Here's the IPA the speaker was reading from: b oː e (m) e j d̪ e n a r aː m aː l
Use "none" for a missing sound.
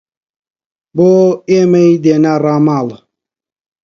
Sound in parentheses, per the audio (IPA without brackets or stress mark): m